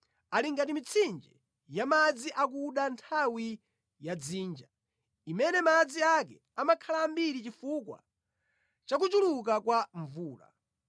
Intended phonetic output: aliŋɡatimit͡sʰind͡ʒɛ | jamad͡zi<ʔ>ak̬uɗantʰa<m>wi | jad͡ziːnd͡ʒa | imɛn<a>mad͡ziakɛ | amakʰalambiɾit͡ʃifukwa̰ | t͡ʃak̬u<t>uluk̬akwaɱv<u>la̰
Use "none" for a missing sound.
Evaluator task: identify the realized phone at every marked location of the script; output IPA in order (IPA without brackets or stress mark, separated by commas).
ʔ, none, ɛ, t͡ʃ, uː